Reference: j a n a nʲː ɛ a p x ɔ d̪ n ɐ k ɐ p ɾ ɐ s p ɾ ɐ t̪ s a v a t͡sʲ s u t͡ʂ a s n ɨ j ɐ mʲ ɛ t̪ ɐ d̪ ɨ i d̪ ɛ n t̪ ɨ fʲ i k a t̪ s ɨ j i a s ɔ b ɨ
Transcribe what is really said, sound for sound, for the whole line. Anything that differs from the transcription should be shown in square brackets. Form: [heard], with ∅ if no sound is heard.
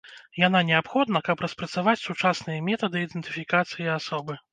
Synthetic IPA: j a n a [nʲ] ɛ a p x ɔ d̪ n ɐ k ɐ p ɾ ɐ s p ɾ ɐ t̪ s a v a t͡sʲ s u t͡ʂ a s n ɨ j ɐ mʲ ɛ t̪ ɐ d̪ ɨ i d̪ ɛ n t̪ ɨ fʲ i k a t̪ s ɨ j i a s ɔ b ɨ